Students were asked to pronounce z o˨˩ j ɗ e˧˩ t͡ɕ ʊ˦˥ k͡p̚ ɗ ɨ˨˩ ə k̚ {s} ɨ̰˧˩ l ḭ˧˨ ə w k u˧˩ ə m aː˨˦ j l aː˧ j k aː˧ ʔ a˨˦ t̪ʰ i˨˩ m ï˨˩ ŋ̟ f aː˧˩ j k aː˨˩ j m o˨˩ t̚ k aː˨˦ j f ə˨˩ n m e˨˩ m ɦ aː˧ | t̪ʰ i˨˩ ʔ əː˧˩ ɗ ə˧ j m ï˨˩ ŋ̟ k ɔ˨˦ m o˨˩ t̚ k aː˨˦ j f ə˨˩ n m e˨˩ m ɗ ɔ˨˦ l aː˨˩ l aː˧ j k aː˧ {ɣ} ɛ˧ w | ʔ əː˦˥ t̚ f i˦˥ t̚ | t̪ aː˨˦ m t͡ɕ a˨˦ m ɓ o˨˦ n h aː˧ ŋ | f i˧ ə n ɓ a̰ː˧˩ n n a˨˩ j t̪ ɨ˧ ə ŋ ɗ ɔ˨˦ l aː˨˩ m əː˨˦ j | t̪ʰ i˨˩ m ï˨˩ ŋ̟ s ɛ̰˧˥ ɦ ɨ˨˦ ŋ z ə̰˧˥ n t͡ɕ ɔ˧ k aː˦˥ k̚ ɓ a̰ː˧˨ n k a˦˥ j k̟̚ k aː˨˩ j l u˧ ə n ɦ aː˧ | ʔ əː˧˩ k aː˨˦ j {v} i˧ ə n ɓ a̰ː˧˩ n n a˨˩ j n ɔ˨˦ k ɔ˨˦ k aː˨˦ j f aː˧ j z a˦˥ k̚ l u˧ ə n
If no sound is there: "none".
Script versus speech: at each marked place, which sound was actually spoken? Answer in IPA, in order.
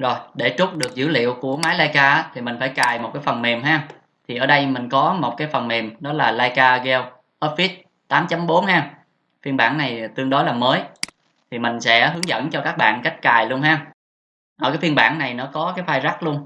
z, ɣ, f

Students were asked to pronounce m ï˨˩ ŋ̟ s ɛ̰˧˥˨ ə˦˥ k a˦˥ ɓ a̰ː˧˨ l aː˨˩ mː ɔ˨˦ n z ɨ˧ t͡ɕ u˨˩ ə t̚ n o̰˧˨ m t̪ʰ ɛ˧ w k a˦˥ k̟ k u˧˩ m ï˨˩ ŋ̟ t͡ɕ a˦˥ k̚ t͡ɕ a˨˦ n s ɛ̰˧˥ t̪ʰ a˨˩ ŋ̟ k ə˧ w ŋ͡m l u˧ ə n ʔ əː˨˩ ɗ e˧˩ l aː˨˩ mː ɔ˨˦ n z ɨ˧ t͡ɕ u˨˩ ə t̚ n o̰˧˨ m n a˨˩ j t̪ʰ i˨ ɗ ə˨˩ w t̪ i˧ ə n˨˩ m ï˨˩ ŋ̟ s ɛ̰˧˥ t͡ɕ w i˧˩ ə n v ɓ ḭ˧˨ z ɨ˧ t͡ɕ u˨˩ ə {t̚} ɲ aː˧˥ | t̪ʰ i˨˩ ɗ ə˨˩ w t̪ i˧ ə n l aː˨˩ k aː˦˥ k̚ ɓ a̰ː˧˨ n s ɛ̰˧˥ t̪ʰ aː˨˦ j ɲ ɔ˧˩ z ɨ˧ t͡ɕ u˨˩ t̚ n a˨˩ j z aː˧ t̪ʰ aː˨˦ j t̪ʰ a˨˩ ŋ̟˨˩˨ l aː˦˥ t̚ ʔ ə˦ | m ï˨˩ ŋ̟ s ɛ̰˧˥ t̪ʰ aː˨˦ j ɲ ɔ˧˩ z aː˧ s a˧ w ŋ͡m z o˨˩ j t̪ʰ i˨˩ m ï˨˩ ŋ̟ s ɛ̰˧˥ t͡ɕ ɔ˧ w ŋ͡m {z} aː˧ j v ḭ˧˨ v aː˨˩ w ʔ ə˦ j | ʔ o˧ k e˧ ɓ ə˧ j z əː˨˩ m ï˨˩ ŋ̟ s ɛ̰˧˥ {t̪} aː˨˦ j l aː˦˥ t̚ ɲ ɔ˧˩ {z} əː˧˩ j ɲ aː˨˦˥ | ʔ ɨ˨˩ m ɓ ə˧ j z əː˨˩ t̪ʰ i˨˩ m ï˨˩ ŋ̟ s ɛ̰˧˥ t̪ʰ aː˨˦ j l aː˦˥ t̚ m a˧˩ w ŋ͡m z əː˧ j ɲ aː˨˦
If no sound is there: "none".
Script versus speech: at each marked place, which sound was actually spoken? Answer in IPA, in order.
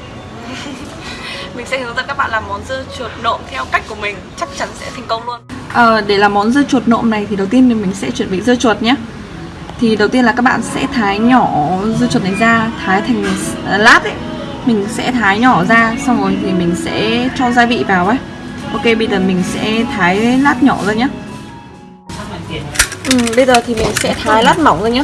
t̚, z, t̪ʰ, z

